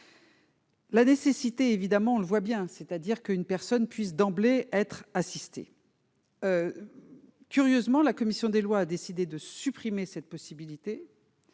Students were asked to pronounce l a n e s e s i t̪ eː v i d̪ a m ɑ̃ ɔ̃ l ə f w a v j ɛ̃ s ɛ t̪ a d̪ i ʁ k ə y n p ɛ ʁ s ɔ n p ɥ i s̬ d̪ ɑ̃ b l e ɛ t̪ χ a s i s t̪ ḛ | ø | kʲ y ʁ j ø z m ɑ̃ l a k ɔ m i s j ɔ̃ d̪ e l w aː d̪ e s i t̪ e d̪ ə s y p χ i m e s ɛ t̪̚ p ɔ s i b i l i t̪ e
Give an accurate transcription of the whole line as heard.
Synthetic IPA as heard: l a n e s e s i t̪ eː v i d̪ a m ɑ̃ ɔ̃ l ə v w a b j ɛ̃ s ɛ t̪ a d̪ i ʁ k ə y n p ɛ ʁ s ɔ n p ɥ i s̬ d̪ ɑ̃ b l e ɛ t̪ χ a s i s t̪ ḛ | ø | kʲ y ʁ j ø z m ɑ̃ l a k ɔ m i s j ɔ̃ d̪ e l w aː d̪ e s i d̪ e d̪ ə s y p χ i m e s ɛ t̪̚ p ɔ s i b i l i t̪ e